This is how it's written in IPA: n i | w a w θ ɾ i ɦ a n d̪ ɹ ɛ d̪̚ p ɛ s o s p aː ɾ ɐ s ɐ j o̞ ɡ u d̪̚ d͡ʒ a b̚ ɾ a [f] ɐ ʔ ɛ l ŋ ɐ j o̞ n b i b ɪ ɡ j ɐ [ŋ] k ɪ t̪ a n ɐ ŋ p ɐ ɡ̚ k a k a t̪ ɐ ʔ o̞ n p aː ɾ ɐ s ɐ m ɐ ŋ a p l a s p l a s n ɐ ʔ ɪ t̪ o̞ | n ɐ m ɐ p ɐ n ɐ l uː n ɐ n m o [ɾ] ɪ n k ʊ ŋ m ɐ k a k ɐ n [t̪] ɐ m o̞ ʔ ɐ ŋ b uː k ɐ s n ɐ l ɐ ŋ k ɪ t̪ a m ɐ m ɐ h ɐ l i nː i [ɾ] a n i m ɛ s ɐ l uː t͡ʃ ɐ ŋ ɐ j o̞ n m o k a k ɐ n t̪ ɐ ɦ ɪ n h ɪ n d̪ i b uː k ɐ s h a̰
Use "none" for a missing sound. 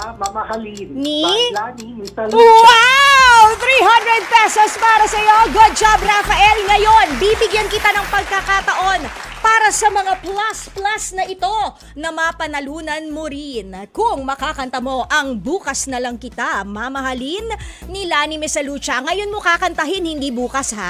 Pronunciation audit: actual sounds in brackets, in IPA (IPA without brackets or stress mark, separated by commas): f, n, ɾ, t̪, l